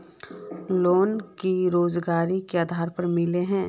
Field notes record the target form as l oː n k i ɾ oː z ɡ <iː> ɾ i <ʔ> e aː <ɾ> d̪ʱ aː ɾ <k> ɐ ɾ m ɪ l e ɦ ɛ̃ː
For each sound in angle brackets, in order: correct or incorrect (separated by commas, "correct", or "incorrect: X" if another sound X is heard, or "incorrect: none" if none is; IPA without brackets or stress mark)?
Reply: incorrect: aː, incorrect: k, incorrect: none, incorrect: p